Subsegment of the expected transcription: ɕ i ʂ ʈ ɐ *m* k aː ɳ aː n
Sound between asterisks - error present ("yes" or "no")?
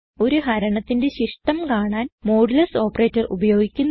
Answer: no